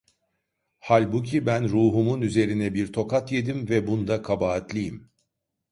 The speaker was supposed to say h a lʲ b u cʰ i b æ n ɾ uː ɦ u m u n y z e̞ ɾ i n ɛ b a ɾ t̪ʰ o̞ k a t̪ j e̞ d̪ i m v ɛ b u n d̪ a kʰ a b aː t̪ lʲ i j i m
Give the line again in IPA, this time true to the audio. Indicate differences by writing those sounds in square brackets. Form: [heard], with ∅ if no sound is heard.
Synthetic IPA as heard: h a lʲ b u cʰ i b æ n ɾ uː ɦ u m u n y z e̞ ɾ i n ɛ b [i] ɾ t̪ʰ o̞ k a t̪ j e̞ d̪ i m v ɛ b u n d̪ a kʰ a b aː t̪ lʲ i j i m